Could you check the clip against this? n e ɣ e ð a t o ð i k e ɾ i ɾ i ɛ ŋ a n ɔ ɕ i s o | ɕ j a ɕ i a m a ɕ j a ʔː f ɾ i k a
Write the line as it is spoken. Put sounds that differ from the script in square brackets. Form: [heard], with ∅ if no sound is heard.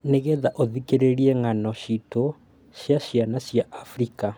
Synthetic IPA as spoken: n e ɣ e ð a [ʔ] o ð i k e ɾ [e] ɾ i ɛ ŋ a n ɔ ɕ i [t] o | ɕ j a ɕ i a [n] a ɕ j a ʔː f ɾ i k a